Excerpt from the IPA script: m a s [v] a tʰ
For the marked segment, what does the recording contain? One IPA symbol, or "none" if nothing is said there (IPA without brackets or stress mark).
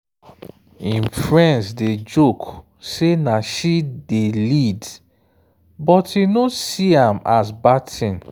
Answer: b